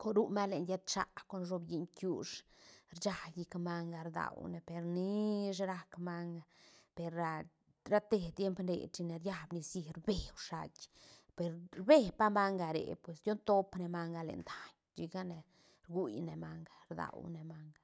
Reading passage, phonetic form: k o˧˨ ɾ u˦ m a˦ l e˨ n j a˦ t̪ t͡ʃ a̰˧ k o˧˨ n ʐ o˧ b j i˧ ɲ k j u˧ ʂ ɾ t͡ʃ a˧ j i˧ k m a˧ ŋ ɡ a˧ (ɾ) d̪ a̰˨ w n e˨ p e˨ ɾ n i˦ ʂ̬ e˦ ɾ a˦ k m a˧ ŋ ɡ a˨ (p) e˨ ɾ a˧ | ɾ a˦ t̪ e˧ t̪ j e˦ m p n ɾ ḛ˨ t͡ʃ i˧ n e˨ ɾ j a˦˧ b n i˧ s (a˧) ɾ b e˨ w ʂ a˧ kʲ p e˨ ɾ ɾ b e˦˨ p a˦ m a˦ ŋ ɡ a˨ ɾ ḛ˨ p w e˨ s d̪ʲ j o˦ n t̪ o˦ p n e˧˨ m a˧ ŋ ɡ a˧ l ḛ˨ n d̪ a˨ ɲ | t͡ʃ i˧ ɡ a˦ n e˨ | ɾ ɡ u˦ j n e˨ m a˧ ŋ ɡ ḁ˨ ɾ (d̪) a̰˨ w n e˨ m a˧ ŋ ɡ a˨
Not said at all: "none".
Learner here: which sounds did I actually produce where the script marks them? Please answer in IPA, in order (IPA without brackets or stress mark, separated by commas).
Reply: ɾ, p, i˧, d̪